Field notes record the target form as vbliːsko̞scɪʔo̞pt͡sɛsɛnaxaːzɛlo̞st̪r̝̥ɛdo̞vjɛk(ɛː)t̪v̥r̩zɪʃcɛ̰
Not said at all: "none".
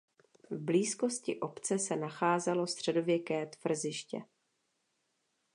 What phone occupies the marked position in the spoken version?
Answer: ɛː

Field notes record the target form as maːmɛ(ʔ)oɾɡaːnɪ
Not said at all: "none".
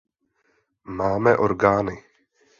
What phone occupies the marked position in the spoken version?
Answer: ʔ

